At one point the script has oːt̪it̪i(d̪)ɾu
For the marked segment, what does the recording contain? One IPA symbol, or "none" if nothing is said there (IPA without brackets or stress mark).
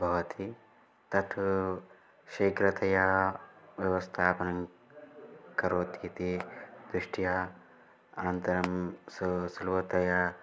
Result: d̪